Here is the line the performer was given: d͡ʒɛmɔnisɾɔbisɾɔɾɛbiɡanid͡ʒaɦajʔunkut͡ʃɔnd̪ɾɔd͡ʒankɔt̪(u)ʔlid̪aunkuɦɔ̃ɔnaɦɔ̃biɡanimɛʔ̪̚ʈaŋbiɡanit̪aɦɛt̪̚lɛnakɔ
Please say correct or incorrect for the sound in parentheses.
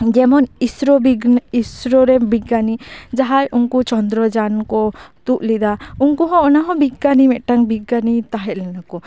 correct